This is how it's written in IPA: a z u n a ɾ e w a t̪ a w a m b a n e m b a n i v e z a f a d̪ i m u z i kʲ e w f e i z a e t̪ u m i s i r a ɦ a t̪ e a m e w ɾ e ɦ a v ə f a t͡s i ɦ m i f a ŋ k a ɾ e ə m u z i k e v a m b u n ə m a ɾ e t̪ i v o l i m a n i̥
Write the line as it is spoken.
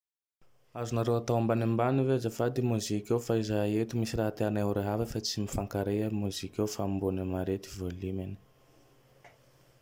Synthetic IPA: a z u n a ɾ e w a t̪ a w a m b a n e m b a n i v e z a f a d̪ i m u z i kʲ e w f a i z a e t̪ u m i s i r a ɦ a t̪ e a n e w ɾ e ɦ a v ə f a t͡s i m i f a ŋ k a ɾ e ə m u z i k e f a m b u n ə m a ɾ e t̪ i v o l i m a n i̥